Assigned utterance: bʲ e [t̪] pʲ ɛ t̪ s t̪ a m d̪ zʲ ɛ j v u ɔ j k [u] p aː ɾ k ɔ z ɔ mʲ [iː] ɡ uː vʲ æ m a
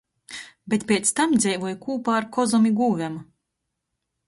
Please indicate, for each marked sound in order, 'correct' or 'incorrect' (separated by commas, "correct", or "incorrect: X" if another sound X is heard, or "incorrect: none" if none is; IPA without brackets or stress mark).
correct, incorrect: uː, incorrect: i